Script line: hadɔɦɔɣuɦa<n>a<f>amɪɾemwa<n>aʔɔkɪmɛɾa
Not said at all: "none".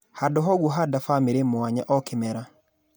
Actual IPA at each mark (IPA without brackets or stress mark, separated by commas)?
d, f, ɲ